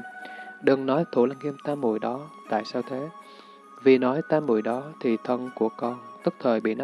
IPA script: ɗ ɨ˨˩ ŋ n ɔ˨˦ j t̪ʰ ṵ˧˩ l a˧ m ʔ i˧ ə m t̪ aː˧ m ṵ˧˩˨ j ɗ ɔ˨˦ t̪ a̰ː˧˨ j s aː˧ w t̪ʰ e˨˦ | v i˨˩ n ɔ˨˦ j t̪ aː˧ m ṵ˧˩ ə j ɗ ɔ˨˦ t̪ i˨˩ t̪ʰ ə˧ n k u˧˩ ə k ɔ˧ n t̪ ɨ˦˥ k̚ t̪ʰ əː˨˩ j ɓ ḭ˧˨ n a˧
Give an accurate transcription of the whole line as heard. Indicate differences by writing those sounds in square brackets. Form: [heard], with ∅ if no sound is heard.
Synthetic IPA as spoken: ɗ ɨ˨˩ ŋ n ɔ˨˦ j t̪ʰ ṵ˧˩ l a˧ [ŋ] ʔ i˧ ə m t̪ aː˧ m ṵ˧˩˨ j ɗ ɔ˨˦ t̪ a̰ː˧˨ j s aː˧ w t̪ʰ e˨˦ | v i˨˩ n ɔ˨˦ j t̪ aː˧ m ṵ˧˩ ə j ɗ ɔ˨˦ [t̪ʰ] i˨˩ t̪ʰ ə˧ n k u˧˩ ə k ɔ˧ n t̪ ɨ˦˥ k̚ t̪ʰ əː˨˩ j ɓ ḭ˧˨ n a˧